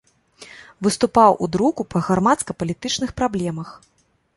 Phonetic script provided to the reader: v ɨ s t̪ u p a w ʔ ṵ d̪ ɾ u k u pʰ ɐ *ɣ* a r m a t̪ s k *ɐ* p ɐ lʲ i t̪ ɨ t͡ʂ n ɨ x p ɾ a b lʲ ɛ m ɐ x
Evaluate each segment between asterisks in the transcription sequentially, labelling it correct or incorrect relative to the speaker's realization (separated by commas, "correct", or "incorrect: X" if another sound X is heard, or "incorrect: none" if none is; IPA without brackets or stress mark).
correct, correct